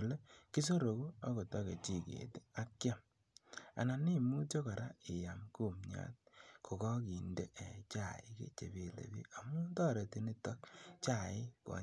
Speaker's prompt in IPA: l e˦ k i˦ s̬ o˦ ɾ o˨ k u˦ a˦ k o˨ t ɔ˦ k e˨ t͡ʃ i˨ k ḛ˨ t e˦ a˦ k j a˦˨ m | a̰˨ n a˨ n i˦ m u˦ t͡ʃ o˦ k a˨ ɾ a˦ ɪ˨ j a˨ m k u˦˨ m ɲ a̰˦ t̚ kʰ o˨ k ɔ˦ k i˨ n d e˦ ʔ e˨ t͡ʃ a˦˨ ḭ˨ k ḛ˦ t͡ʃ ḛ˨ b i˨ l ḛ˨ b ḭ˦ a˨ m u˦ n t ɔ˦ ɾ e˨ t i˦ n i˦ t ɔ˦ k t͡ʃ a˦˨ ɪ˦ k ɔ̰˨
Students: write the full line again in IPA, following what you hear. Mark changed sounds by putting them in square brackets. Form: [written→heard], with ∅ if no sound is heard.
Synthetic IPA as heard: l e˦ k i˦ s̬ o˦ ɾ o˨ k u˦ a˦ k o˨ t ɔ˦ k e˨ t͡ʃ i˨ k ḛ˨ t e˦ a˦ k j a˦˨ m | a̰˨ n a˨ n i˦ m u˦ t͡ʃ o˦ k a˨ ɾ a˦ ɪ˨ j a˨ m k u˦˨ m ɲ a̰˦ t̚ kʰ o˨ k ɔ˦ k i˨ n d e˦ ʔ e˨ t͡ʃ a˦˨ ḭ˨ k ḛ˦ t͡ʃ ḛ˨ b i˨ l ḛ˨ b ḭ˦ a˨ m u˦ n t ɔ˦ ɾ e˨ t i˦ n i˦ t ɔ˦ k t͡ʃ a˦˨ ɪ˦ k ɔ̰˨

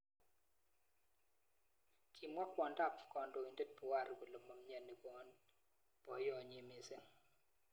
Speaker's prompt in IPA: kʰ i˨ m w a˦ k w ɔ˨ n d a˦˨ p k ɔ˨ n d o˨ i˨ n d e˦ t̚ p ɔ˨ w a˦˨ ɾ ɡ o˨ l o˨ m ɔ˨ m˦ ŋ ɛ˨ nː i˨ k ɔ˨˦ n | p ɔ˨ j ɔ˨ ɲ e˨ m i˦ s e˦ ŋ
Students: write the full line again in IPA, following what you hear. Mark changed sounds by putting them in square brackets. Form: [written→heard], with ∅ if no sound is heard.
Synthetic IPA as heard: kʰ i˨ m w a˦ k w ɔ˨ n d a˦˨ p k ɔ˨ n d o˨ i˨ n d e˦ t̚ p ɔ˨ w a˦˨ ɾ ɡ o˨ l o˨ m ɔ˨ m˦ [ŋ→ɲ] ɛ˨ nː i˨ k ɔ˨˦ n | p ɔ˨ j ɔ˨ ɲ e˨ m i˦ s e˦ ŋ

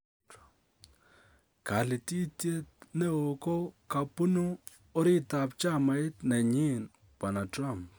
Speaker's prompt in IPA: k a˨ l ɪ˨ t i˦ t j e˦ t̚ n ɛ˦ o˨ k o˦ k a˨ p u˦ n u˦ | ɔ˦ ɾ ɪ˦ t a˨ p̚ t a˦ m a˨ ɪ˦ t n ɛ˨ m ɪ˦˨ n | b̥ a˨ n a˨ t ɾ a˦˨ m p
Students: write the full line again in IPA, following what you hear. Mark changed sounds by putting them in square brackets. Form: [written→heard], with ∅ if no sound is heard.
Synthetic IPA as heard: k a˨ l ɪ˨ t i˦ t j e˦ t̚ n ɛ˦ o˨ k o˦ k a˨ p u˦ n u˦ | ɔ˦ ɾ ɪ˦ t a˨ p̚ [t→t͡ʃ] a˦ m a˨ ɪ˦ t n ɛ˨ [m→ɲ] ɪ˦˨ n | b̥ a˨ n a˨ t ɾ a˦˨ m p

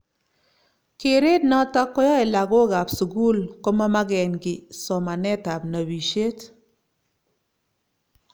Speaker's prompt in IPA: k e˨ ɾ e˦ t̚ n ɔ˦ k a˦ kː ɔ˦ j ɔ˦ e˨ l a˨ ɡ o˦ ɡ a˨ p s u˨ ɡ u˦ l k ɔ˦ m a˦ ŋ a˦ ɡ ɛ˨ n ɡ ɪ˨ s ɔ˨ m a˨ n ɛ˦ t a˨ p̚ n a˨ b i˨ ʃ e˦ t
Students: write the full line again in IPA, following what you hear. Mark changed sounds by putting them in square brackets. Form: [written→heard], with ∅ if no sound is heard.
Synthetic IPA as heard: k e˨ ɾ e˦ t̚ n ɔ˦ [k→t] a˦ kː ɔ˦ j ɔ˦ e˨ l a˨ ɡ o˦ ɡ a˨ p s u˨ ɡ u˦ l k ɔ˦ m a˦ [ŋ→m] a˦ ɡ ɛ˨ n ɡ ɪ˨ s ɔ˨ m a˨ n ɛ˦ t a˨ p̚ n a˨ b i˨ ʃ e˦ t

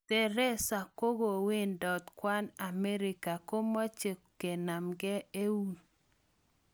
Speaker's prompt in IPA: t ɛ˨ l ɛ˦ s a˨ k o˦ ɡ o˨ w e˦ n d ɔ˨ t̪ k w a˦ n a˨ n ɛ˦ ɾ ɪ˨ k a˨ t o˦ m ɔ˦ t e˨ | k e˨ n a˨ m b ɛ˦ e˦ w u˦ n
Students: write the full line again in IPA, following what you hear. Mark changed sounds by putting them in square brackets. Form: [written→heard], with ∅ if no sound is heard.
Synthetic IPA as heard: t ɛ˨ [l→ɾ] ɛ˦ s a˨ k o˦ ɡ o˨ w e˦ n d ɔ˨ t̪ k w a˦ n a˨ [n→m] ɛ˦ ɾ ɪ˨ k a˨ [t→k] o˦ m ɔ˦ [t→t͡ʃ] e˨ | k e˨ n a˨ m [b→ɡ] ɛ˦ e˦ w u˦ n

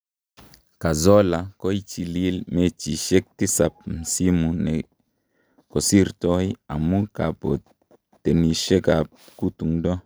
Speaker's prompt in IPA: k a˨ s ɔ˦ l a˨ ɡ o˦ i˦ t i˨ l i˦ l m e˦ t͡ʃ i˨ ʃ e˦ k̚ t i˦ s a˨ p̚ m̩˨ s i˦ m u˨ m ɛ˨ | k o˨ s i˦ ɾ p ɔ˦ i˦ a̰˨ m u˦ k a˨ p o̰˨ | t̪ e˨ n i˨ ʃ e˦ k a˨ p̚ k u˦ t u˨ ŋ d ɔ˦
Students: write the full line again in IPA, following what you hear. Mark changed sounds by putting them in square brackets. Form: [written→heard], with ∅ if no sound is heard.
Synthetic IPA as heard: k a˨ [s→z] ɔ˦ l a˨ [ɡ→k] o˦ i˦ [t→t͡ʃ] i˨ l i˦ l m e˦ t͡ʃ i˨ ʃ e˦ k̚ t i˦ s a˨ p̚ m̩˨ s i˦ m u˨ [m→n] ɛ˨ | k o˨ s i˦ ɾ [p→t] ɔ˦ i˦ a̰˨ m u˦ k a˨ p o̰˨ | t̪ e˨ n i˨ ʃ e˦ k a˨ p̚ k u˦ t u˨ ŋ d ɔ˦

